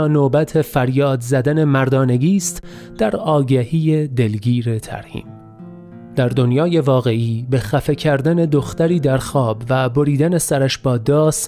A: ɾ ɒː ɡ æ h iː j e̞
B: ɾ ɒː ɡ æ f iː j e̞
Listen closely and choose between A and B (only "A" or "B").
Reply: A